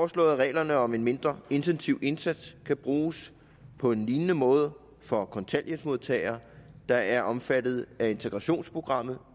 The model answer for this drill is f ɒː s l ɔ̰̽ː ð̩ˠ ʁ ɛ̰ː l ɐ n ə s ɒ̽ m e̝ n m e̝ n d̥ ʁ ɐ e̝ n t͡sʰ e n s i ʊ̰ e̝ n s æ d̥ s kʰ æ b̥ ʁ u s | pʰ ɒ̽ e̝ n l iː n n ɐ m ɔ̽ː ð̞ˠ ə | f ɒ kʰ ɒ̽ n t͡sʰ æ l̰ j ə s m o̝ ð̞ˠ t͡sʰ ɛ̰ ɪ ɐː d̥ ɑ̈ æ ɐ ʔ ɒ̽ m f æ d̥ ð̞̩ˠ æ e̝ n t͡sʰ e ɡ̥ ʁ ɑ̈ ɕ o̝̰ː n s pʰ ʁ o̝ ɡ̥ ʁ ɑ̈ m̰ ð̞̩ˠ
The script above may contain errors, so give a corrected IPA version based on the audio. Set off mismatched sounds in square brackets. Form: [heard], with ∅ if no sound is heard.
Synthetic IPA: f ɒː s l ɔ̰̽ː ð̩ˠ ʁ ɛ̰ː l ɐ n ə [∅] ɒ̽ m e̝ n m e̝ n d̥ ʁ ɐ e̝ n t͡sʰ e n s i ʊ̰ e̝ n s æ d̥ s kʰ æ b̥ ʁ [uː] s | pʰ ɒ̽ e̝ n l iː n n [ə] m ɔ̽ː ð̞ˠ ə | f ɒ kʰ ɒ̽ n t͡sʰ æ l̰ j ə s m o̝ ð̞ˠ t͡sʰ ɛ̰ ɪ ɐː d̥ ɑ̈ æ ɐ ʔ ɒ̽ m f æ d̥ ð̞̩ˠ æ e̝ n t͡sʰ e ɡ̥ ʁ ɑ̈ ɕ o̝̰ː n s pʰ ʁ o̝ ɡ̥ ʁ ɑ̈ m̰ ð̞̩ˠ